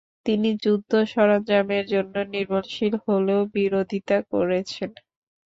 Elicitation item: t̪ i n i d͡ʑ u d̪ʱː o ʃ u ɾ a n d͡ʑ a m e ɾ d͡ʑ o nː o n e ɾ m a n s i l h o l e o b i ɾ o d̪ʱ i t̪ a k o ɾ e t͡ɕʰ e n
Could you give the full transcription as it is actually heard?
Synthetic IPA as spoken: t̪ i n i d͡ʑ u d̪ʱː o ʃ ɔ ɾ a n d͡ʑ a m e ɾ d͡ʑ o nː o n i ɾ m a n ʃ i l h o l e o b i ɾ o d̪ʱ i t̪ a k o ɾ e t͡ɕʰ e n